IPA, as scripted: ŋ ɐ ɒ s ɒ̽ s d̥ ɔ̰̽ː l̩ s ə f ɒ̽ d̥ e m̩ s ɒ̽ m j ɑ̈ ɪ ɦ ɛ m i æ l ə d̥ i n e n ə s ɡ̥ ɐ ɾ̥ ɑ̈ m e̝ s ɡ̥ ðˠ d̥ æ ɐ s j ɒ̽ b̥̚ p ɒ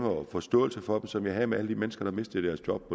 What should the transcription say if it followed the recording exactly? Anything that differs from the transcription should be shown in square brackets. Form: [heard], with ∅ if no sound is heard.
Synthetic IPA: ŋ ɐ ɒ [f] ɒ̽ s d̥ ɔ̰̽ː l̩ s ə f ɒ̽ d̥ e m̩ s ɒ̽ m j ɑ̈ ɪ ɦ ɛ m [e] æ l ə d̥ i [m] e n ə s ɡ̥ ɐ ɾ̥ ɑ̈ m e̝ s [d̥] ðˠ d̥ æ ɐ s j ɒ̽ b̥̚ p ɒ